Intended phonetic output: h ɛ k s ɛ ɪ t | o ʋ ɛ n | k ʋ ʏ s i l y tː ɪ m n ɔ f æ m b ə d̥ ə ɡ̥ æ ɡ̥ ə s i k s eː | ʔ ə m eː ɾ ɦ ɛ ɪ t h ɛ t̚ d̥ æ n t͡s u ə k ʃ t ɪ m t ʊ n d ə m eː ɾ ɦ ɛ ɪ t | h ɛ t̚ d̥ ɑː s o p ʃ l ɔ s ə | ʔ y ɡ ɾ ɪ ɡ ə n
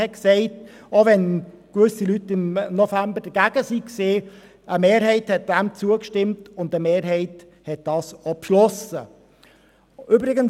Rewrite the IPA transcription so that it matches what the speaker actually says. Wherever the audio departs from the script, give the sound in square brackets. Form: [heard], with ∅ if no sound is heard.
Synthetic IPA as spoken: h ɛ k s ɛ ɪ t | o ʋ ɛ n | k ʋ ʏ s i l y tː ɪ m n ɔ f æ m b ə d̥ ə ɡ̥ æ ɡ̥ ə s i k s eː | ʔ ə m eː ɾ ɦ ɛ ɪ t h ɛ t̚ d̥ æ [m] t͡s u ə k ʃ t ɪ m t ʊ n d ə m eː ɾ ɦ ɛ ɪ t | h ɛ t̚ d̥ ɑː s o p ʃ l ɔ s ə | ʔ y [b] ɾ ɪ ɡ ə n